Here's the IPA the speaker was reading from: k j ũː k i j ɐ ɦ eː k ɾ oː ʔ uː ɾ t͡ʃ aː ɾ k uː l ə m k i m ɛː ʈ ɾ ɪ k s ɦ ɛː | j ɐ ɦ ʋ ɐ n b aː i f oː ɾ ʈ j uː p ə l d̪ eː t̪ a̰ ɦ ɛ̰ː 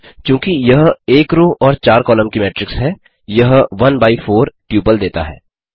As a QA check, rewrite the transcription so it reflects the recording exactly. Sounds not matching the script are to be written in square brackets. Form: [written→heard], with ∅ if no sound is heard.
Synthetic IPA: k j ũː k i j ɐ ɦ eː k ɾ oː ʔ [uː→ɔː] ɾ t͡ʃ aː ɾ k [uː→ɔː] l ə m k i m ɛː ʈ ɾ ɪ k s ɦ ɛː | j ɐ ɦ ʋ ɐ n b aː i f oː ɾ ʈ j uː p ə l d̪ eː t̪ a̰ ɦ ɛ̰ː